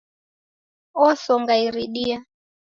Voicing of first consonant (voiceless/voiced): voiceless